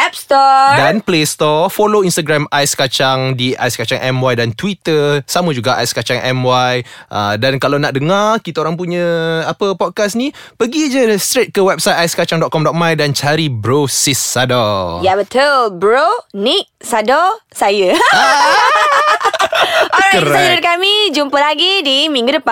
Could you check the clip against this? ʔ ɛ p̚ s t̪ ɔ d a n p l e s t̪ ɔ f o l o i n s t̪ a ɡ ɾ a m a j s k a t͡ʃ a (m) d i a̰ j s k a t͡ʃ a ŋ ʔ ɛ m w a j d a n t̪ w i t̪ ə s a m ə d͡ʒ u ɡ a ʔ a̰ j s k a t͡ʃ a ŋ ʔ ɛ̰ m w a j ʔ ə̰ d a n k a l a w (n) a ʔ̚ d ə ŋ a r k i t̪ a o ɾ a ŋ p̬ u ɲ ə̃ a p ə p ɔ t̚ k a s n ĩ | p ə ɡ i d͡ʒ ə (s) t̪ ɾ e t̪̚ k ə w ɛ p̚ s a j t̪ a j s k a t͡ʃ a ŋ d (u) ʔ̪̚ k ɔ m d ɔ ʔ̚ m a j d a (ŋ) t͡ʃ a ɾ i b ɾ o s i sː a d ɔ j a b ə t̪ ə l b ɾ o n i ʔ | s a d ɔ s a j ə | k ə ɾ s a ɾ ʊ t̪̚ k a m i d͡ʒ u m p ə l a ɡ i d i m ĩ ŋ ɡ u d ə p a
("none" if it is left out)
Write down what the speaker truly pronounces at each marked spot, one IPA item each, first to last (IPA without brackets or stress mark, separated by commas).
ŋ, n, s, ɔ, n